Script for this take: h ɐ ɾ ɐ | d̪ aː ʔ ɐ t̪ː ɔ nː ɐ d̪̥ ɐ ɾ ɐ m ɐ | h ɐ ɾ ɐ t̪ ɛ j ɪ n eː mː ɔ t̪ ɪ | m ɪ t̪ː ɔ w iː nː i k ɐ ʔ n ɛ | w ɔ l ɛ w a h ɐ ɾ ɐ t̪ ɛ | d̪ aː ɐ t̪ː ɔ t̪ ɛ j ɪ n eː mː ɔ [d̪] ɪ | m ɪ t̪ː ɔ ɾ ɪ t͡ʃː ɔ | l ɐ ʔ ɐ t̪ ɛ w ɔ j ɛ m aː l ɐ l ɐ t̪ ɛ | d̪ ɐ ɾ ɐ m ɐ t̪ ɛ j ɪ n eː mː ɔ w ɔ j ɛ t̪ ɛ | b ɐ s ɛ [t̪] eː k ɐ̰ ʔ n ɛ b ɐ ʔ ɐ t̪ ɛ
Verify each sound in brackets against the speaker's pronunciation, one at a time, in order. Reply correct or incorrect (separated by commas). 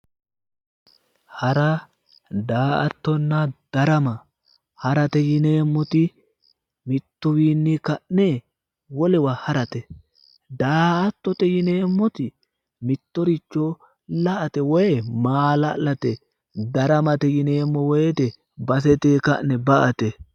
incorrect, correct